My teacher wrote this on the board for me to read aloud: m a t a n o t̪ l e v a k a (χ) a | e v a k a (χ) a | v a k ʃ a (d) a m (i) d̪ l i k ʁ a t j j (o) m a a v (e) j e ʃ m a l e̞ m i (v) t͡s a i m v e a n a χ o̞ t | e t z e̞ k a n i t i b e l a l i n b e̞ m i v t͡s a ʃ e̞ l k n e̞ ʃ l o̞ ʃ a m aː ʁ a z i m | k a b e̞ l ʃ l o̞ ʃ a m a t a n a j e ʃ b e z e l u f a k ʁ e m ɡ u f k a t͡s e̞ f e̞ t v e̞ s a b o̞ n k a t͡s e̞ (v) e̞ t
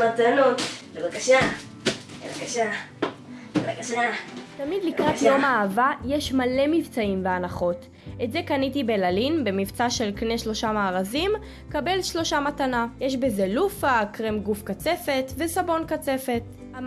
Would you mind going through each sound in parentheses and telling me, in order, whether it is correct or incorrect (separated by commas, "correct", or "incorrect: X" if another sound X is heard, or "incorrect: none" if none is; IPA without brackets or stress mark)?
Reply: incorrect: ʃ, incorrect: ʃ, incorrect: t, correct, correct, incorrect: a, correct, incorrect: f